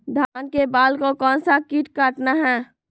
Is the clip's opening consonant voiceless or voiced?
voiced